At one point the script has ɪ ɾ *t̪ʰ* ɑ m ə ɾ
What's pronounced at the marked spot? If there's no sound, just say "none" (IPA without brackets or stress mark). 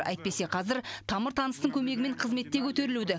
t̪ʰ